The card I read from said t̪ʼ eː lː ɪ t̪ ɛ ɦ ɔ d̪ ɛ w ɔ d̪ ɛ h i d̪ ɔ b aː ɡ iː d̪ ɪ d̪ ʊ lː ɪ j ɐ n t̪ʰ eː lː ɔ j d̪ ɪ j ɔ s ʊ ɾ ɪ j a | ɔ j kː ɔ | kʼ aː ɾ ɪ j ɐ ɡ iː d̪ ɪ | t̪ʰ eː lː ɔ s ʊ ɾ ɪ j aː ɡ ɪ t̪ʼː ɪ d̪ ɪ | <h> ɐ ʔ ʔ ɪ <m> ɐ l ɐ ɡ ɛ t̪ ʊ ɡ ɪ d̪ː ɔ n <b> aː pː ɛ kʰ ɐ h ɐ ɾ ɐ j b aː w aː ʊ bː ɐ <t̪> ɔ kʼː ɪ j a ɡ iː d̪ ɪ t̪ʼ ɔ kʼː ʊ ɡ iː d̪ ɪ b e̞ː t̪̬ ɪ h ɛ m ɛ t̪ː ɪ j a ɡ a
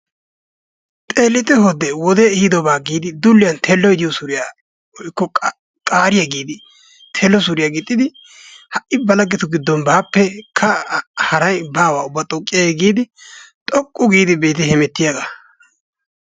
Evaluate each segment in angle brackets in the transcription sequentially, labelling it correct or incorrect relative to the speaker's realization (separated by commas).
correct, incorrect, correct, incorrect